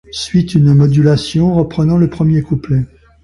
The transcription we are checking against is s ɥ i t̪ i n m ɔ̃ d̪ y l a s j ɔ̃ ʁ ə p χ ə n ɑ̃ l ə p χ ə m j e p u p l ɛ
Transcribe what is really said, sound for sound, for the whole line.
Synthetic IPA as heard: s ɥ i t̪ y n m ɔ d̪ y l a s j ɔ̃ ʁ ə p χ ə n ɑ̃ l ə p χ ə m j e k u p l ɛ